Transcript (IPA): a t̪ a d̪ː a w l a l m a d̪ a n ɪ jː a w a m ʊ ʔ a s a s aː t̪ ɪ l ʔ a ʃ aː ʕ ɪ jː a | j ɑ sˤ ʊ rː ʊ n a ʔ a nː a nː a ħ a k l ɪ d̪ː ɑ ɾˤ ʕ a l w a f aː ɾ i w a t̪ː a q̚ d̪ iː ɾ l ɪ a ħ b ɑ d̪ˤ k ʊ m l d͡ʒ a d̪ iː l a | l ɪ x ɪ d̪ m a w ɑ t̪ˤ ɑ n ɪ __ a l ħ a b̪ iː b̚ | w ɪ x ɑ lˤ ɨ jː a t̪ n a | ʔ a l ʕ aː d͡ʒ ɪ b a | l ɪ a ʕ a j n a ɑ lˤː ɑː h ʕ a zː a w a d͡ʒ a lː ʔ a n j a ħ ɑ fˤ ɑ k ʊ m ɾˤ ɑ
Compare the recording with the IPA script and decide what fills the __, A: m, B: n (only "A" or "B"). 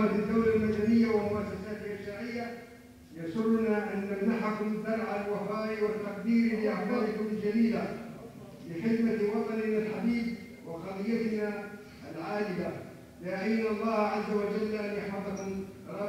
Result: B